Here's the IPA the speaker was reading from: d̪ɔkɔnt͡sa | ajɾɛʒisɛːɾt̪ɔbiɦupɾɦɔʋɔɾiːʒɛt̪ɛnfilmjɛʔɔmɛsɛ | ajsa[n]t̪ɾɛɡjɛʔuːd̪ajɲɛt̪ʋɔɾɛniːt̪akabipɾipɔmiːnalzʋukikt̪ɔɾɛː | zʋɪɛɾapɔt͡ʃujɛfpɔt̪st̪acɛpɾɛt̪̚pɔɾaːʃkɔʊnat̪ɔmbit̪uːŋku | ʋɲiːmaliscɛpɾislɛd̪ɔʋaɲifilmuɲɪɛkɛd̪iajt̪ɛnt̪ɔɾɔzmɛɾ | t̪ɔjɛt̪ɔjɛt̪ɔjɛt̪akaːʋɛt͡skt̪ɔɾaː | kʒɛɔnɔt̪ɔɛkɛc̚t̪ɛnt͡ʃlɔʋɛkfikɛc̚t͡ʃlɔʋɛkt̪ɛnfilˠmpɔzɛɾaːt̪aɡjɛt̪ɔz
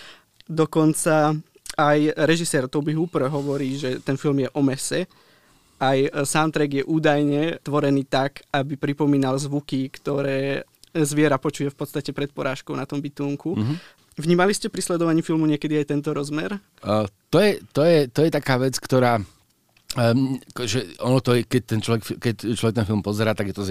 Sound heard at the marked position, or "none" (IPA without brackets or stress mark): n